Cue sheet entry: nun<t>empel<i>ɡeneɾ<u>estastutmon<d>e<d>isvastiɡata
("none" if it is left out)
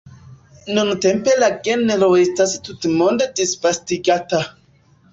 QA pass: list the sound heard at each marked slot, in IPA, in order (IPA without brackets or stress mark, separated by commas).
t, a, o, d, d